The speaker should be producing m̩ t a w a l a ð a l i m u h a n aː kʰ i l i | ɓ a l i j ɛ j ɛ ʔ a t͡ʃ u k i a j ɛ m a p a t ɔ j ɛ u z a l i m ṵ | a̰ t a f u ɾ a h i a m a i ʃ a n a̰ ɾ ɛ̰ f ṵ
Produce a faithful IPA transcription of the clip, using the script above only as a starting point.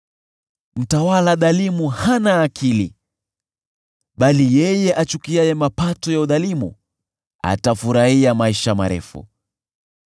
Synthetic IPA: m̩ t a w a l a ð a l i m u h a n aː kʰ i l i | ɓ a l i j ɛ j ɛ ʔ a t͡ʃ u k i a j ɛ m a p a t ɔ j a u ð a l i m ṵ | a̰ t a f u ɾ a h i a m a i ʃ a m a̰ ɾ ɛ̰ f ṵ